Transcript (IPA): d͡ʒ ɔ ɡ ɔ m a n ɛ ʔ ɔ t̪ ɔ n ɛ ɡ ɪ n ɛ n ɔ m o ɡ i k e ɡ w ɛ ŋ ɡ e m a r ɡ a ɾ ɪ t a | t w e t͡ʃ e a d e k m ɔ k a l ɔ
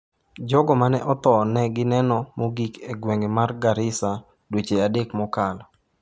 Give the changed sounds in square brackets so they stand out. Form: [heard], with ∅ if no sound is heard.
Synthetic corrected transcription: d͡ʒ ɔ ɡ ɔ m a n ɛ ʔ ɔ t̪ ɔ n ɛ ɡ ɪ n ɛ n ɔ m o ɡ i k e ɡ w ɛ ŋ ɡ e m a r ɡ a ɾ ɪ [s] a | [d] w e t͡ʃ e a d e k m ɔ k a l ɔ